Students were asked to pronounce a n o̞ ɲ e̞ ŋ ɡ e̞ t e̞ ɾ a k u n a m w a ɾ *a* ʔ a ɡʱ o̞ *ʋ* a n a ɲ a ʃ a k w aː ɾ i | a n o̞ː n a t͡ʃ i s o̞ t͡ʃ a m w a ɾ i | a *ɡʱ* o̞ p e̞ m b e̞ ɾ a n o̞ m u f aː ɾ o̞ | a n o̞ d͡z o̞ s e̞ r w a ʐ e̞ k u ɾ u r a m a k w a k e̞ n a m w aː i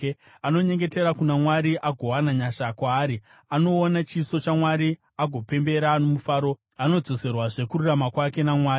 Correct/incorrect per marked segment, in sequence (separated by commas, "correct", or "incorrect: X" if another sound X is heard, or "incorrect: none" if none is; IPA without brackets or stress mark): incorrect: i, incorrect: w, correct